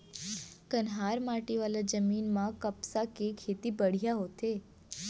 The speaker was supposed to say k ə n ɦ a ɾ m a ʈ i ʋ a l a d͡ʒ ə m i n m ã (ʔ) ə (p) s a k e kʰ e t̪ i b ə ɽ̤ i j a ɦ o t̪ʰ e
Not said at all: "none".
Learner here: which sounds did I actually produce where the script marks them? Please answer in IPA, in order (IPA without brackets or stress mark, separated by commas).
k, p